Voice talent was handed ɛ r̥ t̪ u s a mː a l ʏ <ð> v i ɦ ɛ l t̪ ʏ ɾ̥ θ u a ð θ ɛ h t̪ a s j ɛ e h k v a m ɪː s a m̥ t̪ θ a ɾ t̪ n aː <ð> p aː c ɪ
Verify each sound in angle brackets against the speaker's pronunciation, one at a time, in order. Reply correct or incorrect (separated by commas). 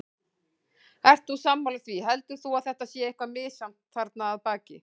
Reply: incorrect, correct